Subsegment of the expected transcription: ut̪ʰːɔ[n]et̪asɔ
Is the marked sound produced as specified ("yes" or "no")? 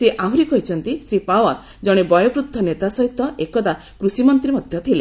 yes